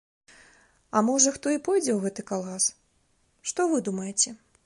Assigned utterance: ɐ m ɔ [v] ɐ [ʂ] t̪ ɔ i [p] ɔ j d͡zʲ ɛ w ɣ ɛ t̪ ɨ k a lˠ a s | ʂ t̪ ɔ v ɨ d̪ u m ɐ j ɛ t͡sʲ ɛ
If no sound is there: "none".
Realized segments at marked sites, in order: ʐ, x, p

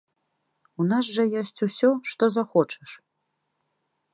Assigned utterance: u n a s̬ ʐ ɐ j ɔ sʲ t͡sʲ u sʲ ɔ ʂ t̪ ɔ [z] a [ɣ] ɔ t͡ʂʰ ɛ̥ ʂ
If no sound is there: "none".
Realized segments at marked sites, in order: z, x

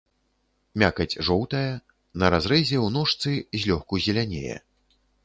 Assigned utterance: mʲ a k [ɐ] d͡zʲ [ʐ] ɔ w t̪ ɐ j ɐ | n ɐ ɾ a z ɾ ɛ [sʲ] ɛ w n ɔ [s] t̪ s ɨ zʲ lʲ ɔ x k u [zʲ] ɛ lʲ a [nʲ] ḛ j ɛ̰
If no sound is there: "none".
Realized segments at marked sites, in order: ɐ, ʐ, zʲ, ʂ, zʲ, nʲ

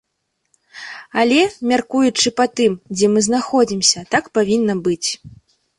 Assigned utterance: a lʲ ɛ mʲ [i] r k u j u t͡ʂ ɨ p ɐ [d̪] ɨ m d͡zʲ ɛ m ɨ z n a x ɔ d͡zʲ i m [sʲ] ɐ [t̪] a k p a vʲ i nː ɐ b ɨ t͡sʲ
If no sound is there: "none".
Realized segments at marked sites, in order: a, t̪, sʲ, t̪

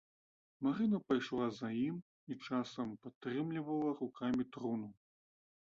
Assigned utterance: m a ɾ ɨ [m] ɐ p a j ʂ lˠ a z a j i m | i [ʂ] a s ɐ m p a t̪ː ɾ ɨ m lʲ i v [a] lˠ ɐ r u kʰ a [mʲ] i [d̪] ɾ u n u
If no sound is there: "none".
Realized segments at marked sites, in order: n, t͡ʂ, ɐ, mʲ, t̪

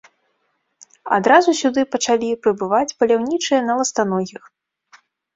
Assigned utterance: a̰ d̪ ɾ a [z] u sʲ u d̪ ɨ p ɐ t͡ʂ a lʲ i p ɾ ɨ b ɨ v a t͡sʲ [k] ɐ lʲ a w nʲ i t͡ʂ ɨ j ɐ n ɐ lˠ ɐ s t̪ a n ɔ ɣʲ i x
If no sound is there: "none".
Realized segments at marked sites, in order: z, p

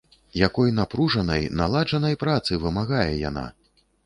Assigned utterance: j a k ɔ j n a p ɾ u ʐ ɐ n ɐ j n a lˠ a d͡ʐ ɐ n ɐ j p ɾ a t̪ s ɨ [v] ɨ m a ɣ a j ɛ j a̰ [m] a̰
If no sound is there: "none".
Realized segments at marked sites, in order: v, n

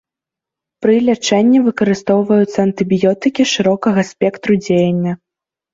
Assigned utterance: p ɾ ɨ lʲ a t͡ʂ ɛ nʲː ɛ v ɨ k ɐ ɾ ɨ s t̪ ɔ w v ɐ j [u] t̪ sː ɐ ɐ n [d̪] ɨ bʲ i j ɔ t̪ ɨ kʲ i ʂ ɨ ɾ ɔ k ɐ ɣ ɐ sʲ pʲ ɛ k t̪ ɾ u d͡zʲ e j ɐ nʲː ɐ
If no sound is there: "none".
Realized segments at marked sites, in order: u, t̪

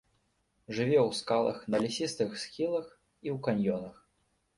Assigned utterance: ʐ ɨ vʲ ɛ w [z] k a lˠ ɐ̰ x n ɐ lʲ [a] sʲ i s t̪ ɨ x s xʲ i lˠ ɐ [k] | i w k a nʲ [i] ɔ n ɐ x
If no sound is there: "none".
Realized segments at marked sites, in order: s, i, x, j

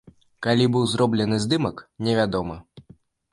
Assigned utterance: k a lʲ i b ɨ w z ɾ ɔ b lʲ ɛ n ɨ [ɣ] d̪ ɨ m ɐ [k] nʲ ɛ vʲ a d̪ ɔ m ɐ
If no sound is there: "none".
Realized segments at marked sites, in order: z, k

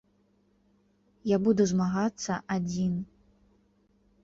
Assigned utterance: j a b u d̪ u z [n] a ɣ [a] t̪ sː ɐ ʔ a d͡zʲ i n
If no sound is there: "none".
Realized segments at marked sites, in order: m, a

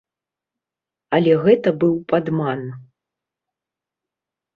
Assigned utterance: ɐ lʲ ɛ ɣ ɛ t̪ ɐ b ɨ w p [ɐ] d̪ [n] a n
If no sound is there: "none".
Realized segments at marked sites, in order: a, m

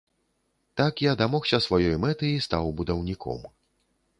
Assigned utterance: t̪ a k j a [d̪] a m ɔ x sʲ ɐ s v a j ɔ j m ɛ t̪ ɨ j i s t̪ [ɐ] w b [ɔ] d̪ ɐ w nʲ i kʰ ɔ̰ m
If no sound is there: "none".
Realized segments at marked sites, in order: d̪, a, u

